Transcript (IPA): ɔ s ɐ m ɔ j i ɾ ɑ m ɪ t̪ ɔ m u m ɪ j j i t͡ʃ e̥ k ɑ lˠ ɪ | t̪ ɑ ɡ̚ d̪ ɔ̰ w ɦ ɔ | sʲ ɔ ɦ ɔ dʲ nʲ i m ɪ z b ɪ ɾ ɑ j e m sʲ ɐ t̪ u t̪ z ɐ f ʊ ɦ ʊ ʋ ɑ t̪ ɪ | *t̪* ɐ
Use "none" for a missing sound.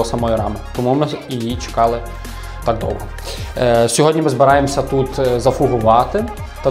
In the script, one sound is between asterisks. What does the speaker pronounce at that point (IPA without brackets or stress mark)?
t̪